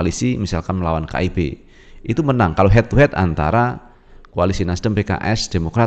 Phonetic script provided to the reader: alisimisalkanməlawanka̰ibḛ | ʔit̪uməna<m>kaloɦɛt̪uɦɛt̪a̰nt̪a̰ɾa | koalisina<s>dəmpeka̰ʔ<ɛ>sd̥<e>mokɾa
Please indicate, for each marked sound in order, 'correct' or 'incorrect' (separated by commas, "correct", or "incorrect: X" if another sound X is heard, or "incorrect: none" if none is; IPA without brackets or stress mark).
incorrect: ŋ, correct, correct, correct